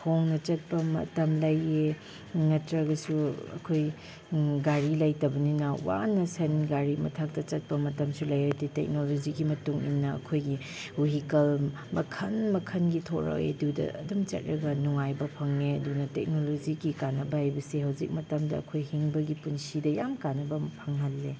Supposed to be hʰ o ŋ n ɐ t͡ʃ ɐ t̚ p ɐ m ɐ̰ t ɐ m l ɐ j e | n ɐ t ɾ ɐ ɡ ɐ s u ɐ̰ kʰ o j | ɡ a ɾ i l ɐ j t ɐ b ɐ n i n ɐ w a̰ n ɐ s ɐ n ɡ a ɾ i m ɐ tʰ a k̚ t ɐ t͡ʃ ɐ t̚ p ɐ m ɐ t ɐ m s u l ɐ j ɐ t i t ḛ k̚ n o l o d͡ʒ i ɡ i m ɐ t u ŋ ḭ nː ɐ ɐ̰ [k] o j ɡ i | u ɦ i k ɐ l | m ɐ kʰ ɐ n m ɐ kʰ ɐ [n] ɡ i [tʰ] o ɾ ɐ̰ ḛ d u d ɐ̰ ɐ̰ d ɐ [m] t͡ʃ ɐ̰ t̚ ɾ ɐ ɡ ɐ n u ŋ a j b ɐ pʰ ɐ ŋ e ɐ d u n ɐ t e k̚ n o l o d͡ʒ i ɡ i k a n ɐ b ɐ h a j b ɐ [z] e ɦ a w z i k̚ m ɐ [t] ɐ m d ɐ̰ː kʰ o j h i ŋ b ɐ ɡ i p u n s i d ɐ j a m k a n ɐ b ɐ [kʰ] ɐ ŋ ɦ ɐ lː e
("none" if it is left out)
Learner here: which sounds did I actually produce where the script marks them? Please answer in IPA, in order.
kʰ, n, tʰ, m, s, t, pʰ

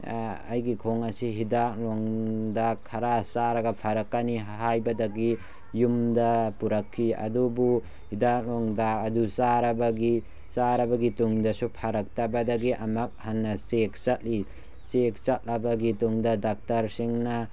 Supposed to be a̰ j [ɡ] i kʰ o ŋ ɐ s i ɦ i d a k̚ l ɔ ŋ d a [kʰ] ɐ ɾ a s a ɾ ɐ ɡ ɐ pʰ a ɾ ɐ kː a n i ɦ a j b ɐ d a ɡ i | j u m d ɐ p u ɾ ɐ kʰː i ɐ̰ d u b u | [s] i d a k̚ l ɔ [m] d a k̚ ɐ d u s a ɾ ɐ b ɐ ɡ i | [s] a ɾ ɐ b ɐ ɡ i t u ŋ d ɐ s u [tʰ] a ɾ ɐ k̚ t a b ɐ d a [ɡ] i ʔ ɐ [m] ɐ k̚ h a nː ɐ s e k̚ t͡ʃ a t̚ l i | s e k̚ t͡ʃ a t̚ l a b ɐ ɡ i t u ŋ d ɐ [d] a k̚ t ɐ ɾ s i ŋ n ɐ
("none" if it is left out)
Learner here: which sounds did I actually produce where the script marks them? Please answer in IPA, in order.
ɡ, kʰ, h, ŋ, s, pʰ, ɡ, m, d

